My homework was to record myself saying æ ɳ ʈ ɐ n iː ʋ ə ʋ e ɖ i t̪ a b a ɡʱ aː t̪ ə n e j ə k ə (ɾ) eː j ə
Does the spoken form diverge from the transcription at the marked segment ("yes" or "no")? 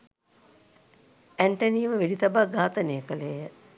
yes